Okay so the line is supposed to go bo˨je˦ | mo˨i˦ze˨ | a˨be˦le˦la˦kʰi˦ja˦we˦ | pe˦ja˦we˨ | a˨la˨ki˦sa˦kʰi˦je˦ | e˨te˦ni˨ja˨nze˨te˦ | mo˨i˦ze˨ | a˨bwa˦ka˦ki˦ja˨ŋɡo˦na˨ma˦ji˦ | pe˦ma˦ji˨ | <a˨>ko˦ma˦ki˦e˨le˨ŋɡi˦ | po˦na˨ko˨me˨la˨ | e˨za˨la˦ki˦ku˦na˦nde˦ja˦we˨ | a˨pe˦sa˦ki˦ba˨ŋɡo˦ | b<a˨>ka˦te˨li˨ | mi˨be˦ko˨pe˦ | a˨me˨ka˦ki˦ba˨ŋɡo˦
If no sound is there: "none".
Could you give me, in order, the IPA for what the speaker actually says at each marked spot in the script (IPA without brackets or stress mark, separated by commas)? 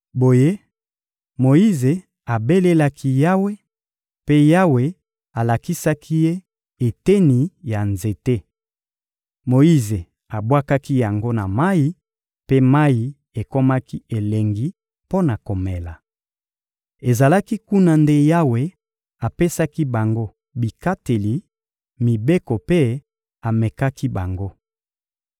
e˨, i˨